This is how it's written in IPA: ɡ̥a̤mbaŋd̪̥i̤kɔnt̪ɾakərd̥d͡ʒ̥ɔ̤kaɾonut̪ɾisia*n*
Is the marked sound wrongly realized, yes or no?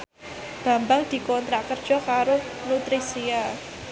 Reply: yes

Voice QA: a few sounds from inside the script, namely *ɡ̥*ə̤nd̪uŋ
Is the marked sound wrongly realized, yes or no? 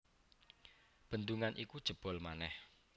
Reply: yes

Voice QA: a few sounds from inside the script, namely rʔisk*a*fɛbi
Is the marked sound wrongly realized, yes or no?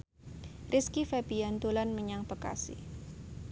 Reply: yes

